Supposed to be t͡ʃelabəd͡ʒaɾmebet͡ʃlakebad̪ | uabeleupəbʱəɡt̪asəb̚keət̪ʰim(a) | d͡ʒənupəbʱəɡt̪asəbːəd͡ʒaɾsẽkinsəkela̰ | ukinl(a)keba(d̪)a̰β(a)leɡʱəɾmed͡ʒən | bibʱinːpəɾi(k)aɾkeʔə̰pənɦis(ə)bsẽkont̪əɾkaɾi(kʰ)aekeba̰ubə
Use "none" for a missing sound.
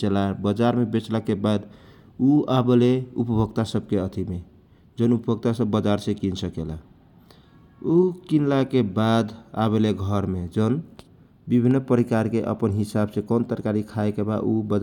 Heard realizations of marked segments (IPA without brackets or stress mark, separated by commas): e, a, d̪, e, k, a, kʰ